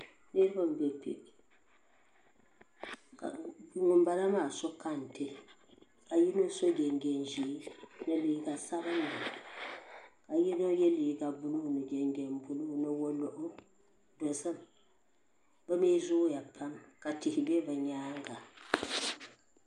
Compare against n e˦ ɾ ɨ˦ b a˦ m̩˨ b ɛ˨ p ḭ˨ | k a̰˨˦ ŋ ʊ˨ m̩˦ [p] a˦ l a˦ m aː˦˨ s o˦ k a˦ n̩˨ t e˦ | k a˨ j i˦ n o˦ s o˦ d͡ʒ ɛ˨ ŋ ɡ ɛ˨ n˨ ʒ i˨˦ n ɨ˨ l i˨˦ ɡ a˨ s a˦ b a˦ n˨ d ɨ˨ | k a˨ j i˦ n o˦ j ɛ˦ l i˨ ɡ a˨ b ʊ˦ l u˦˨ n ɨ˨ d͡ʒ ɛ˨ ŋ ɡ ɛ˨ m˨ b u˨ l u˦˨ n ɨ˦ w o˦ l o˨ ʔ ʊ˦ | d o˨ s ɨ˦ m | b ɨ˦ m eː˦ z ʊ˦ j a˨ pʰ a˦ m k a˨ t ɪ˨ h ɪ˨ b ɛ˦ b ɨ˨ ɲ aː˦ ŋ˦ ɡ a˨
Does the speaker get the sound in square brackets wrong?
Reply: yes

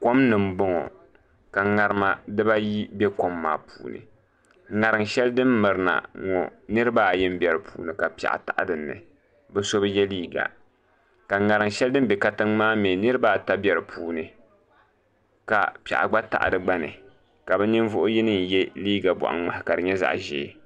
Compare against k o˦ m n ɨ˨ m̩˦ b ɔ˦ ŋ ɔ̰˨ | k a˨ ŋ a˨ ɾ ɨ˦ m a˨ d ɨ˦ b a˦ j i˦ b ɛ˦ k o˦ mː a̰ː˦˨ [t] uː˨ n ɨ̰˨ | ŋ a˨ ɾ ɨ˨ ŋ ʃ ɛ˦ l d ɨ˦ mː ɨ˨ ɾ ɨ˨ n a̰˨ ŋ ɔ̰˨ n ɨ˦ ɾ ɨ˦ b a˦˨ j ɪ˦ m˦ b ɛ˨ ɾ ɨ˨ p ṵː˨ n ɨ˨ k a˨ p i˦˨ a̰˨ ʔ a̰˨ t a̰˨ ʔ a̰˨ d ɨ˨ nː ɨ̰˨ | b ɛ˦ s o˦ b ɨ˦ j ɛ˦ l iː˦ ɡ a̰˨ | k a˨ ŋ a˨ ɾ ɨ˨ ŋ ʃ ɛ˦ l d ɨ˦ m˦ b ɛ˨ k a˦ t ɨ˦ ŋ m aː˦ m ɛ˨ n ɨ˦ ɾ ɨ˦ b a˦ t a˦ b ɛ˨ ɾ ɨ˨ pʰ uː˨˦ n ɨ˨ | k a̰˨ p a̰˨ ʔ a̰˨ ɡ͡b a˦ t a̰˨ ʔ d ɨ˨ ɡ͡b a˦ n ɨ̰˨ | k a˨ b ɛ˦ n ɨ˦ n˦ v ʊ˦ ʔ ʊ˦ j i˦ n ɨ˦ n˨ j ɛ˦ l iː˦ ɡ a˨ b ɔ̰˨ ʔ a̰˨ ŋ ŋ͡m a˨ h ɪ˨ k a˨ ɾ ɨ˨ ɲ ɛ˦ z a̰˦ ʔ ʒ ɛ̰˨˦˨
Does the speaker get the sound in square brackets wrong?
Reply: yes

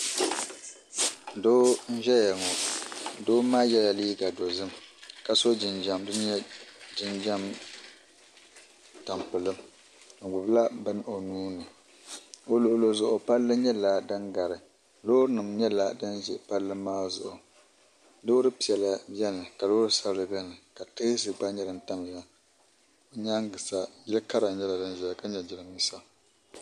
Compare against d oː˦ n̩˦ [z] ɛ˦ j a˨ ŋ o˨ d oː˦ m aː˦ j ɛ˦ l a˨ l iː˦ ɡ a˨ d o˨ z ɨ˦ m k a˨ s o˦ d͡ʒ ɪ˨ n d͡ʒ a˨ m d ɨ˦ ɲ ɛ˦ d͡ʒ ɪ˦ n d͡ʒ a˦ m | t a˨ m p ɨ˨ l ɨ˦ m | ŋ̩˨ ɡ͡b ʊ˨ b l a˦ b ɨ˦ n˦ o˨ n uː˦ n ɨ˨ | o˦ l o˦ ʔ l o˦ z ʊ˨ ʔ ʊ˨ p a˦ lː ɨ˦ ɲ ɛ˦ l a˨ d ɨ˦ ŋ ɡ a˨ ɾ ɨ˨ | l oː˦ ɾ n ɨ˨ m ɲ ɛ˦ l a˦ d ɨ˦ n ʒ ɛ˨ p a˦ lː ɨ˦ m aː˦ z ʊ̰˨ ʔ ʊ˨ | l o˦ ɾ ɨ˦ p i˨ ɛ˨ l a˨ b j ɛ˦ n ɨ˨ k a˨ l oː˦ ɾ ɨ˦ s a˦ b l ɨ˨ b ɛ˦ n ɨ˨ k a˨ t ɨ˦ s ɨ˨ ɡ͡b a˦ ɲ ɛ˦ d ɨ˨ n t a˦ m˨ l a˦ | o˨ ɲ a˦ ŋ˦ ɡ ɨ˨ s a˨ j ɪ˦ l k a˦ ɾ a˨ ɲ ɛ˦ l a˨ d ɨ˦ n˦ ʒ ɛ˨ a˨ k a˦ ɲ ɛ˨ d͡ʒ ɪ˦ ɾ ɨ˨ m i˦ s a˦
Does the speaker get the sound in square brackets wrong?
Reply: yes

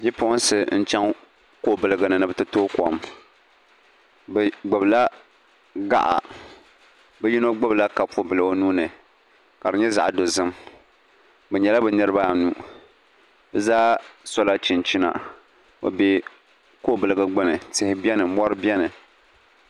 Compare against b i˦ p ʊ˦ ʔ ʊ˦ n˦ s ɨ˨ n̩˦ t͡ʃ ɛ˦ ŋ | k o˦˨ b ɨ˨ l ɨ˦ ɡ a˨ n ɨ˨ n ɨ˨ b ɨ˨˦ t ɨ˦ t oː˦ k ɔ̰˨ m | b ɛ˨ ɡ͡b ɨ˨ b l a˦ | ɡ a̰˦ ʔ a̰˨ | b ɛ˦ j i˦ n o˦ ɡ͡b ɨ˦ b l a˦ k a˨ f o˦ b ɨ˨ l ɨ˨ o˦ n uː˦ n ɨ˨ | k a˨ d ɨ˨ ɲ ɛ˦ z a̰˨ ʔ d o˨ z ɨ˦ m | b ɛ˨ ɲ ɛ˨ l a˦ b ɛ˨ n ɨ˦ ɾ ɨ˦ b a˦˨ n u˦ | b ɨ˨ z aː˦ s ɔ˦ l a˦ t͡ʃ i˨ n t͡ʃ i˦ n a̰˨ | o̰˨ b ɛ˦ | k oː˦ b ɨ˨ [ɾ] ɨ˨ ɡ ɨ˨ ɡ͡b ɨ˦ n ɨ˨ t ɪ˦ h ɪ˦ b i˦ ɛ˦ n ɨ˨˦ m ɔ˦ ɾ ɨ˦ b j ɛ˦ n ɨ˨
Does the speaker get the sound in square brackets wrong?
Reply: yes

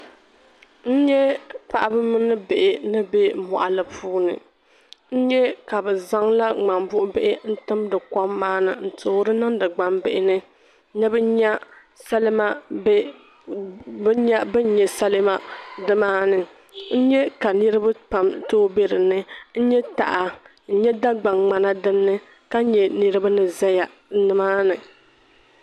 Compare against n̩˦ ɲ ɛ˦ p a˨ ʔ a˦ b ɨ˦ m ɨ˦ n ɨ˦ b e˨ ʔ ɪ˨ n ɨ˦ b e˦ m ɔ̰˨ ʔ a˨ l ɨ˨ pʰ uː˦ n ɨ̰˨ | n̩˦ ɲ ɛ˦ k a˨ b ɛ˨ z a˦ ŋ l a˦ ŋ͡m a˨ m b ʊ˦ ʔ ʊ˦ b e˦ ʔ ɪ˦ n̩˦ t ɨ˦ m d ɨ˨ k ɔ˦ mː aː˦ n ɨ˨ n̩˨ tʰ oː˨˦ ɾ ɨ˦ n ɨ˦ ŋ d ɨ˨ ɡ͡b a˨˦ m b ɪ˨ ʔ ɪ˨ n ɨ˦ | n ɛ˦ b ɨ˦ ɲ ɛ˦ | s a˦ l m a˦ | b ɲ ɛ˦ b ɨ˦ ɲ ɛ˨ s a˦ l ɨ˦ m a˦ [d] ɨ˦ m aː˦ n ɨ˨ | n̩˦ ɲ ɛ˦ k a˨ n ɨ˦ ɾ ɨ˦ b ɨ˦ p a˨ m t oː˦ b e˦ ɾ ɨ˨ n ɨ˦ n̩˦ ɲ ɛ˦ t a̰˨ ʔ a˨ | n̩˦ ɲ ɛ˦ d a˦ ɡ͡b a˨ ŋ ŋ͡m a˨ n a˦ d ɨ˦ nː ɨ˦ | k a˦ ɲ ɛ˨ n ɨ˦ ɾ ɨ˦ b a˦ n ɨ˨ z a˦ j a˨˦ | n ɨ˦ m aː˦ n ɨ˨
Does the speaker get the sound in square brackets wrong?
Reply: no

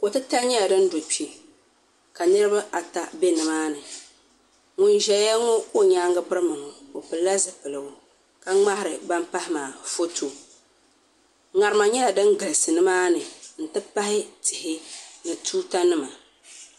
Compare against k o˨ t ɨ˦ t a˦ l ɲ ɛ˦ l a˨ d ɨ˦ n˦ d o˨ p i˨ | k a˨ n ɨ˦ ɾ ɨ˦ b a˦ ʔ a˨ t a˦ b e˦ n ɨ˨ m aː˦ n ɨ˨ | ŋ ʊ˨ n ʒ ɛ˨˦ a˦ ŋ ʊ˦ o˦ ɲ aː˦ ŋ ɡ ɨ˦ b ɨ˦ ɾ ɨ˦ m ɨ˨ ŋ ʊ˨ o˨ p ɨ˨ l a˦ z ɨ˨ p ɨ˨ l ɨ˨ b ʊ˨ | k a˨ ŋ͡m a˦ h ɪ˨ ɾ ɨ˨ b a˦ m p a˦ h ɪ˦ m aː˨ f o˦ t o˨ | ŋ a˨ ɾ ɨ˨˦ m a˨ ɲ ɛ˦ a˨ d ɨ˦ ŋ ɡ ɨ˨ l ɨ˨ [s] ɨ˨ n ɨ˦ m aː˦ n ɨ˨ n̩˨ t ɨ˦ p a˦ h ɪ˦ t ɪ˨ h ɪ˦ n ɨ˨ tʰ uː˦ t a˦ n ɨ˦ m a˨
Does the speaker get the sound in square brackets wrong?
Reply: no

